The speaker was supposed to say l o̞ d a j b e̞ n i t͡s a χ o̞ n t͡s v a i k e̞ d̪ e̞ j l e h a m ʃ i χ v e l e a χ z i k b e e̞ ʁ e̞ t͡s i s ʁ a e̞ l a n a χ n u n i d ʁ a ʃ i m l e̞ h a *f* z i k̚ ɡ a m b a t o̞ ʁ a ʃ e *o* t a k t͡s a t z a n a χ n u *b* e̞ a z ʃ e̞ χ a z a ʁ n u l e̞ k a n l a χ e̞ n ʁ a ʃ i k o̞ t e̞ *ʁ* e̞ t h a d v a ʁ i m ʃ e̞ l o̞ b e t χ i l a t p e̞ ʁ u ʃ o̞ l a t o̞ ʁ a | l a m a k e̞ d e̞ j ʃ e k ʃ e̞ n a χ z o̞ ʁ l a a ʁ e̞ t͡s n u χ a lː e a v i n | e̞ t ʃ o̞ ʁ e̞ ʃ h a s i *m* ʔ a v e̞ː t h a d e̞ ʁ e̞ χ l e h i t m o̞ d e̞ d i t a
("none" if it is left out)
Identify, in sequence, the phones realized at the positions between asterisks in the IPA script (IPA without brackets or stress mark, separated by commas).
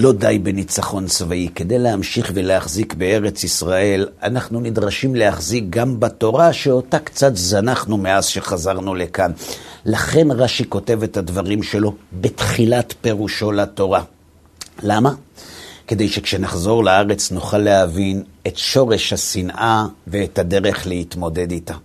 χ, o, m, v, n